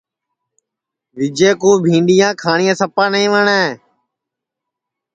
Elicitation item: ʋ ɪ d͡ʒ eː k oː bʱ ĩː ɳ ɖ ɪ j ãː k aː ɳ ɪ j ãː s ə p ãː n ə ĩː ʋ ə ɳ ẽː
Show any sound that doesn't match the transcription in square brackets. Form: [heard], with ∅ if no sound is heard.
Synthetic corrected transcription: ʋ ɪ d͡ʒ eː k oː bʱ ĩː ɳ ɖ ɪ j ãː [kʰ] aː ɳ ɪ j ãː s ə p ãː n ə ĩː ʋ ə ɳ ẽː